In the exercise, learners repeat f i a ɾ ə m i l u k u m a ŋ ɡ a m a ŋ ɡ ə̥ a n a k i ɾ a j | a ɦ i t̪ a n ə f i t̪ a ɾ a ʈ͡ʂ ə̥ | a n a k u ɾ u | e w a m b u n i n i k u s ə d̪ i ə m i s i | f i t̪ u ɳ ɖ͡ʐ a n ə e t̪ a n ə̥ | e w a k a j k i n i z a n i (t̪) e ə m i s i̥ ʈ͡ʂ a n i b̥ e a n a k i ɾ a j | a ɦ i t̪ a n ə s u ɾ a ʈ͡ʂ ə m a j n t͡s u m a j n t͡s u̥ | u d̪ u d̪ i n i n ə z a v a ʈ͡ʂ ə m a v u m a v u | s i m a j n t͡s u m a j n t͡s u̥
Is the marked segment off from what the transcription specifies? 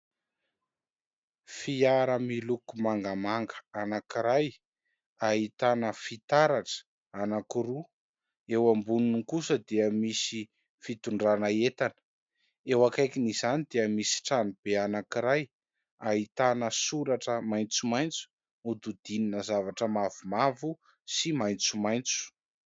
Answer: yes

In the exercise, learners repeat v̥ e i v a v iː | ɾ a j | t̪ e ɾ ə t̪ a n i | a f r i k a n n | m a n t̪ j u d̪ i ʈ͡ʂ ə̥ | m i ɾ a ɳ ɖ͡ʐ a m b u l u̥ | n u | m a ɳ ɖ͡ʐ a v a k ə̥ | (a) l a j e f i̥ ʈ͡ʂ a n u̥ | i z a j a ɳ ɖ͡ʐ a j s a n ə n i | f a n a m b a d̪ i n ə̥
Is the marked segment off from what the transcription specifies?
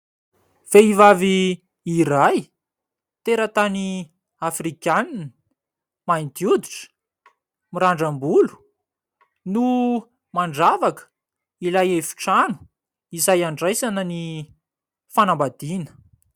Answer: yes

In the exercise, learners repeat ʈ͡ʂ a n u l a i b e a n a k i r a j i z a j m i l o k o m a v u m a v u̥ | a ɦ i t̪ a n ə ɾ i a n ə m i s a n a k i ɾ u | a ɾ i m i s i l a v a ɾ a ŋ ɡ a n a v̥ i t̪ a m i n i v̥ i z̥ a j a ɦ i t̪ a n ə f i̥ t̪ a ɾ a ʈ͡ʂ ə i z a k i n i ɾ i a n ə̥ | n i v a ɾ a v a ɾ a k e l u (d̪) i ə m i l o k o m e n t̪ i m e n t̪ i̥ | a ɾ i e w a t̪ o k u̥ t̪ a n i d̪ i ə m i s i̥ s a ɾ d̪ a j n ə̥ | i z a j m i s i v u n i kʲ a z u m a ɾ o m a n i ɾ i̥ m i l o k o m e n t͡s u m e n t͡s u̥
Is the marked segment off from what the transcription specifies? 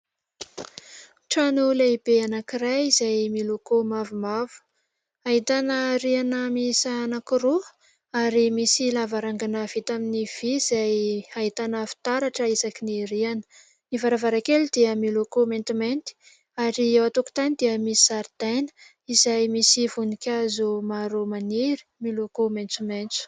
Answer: no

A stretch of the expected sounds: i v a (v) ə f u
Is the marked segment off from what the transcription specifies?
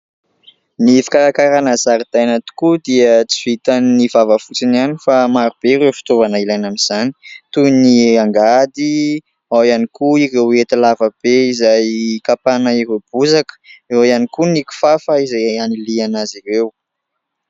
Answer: no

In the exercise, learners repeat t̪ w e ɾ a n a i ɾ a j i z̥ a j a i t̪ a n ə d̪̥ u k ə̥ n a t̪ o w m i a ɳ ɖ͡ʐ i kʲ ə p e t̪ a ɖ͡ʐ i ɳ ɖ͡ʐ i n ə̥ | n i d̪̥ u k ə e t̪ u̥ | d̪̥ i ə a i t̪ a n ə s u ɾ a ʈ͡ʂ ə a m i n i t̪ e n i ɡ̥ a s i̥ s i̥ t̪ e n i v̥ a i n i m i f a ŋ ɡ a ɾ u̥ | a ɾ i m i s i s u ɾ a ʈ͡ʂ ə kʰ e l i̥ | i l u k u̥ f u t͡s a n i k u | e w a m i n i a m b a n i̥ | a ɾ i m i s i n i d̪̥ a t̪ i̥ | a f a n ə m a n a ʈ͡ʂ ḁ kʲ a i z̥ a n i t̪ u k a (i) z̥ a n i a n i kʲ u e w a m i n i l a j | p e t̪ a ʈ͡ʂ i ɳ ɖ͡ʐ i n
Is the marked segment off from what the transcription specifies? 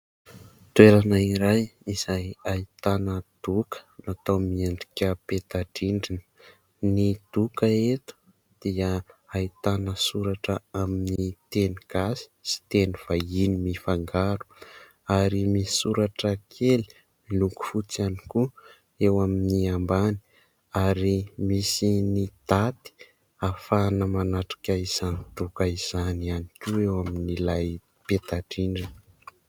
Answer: no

